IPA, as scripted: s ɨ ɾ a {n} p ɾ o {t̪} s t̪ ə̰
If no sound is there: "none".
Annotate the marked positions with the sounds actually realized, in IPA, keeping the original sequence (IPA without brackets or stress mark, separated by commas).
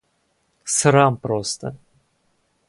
m, none